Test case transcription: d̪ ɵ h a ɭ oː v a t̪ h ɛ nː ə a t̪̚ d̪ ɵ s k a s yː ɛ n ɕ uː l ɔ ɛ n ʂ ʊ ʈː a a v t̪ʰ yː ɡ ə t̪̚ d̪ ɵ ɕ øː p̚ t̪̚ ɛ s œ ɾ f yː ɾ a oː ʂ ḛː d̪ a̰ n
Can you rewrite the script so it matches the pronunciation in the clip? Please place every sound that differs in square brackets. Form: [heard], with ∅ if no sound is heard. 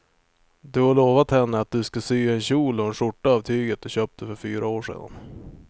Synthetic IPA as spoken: d̪ ɵ h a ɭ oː v a t̪ h ɛ nː ə a t̪̚ d̪ ɵ s k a s yː ɛ n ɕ uː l ɔ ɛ n ʂ ʊ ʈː a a v t̪ʰ yː ɡ ə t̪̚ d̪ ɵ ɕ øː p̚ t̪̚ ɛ [f] œ ɾ f yː ɾ a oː ʂ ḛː d̪ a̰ n